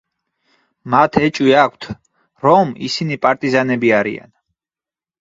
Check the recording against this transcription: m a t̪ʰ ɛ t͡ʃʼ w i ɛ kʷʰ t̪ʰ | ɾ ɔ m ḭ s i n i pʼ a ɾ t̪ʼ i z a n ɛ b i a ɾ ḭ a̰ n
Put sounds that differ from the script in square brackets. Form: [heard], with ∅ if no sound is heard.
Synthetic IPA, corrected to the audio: m a t̪ʰ ɛ t͡ʃʼ w i [a] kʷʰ t̪ʰ | ɾ ɔ m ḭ s i n i pʼ a ɾ t̪ʼ i z a n ɛ b i a ɾ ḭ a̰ n